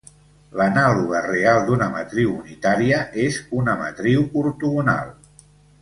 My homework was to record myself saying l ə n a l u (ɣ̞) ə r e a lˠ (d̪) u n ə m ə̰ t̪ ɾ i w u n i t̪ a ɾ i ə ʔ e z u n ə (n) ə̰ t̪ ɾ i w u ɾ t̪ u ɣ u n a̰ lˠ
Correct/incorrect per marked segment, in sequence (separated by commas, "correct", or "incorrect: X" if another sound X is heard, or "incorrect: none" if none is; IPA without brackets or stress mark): correct, correct, incorrect: m